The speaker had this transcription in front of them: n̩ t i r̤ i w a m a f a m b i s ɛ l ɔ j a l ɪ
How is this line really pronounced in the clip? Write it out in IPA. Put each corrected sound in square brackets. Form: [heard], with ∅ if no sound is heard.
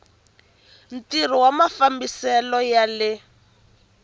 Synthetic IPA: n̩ t i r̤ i w a m a f a m b i s ɛ l ɔ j a l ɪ